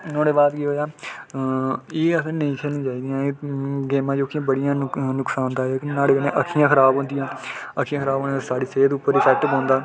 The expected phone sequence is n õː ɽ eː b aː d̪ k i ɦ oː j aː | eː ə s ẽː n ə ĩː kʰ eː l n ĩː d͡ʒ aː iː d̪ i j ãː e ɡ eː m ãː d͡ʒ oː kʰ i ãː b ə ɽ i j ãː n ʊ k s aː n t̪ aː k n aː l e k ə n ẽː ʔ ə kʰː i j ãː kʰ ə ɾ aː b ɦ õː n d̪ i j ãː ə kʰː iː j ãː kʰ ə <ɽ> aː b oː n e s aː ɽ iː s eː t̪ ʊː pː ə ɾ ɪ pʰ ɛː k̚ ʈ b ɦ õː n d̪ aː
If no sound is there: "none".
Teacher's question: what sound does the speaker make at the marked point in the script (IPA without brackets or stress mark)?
ɾ